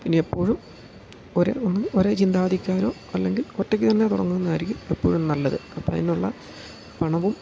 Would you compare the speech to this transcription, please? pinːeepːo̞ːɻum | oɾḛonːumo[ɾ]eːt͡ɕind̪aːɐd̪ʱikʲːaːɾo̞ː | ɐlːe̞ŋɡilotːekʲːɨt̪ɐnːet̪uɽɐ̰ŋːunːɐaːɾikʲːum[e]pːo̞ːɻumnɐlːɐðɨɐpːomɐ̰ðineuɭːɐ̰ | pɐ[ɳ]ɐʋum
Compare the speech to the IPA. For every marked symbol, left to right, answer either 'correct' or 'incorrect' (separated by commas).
correct, correct, correct